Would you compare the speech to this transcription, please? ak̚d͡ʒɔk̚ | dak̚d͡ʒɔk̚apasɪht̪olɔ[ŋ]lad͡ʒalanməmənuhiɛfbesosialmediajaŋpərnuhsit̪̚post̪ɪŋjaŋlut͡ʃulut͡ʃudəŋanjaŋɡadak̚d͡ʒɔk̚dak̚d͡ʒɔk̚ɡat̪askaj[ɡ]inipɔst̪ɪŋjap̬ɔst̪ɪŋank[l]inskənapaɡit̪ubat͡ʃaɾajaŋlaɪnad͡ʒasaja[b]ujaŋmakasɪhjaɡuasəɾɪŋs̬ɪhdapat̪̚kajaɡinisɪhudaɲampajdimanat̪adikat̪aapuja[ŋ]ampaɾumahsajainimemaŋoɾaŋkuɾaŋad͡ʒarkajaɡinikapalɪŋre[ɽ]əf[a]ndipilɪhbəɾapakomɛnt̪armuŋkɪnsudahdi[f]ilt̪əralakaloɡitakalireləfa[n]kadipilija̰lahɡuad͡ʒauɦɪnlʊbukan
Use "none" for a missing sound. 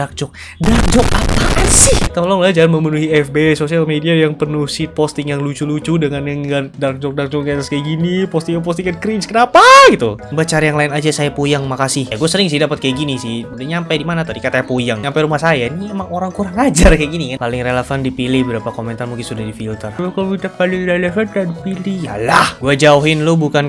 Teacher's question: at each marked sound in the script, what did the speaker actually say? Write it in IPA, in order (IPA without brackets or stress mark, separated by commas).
ŋ, ɡ, ɾ, p, ŋ, l, a, f, n